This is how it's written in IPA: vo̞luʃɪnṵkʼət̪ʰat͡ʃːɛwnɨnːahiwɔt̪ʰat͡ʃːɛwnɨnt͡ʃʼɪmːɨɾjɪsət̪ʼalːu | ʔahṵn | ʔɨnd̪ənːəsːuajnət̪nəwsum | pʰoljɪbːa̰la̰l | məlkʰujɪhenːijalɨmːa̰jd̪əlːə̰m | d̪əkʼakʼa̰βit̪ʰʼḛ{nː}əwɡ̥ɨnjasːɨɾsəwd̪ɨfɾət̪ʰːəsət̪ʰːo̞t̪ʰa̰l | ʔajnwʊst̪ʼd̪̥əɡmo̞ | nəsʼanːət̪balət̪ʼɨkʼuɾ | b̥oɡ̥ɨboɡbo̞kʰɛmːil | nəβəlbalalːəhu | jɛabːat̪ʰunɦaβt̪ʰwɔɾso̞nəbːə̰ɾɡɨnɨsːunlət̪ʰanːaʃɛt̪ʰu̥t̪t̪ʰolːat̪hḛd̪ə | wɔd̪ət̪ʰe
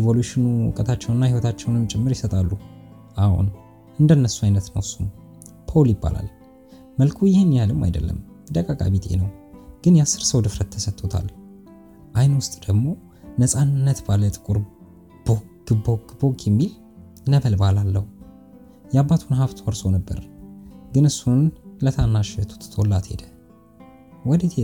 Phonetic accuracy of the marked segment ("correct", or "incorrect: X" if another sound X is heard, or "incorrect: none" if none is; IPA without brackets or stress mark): incorrect: n